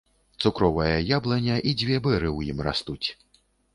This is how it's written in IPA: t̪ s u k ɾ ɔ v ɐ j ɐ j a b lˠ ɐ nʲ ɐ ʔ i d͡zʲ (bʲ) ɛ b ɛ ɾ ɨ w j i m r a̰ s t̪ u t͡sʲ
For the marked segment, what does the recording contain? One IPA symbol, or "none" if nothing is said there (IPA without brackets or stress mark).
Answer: vʲ